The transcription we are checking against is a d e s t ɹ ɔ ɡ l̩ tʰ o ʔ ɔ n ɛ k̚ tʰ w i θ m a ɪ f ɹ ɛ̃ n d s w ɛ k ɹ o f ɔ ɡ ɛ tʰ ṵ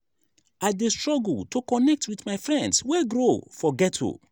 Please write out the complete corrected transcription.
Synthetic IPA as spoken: a d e s t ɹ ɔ ɡ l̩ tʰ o k ɔ n ɛ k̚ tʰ w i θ m a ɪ f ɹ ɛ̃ n d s w ɛ ɡ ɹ o f ɔ ɡ ɛ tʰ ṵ